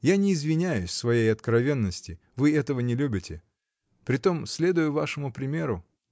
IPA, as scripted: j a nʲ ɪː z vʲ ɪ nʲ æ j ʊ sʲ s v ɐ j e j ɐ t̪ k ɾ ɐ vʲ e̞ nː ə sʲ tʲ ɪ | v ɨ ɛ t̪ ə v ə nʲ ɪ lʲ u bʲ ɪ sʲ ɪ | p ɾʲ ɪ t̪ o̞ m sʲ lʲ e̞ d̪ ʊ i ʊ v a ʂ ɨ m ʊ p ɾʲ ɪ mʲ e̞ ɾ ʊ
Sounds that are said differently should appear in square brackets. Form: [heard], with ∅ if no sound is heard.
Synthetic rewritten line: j a nʲ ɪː z vʲ ɪ nʲ æ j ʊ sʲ s v ɐ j e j ɐ t̪ k ɾ ɐ vʲ e̞ nː ə sʲ tʲ ɪ | v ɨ ɛ t̪ ə v ə nʲ ɪ lʲ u bʲ ɪ [tʲ] ɪ | p ɾʲ ɪ t̪ o̞ m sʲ lʲ e̞ d̪ ʊ [j] ʊ v a ʂ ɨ m ʊ p ɾʲ ɪ mʲ e̞ ɾ ʊ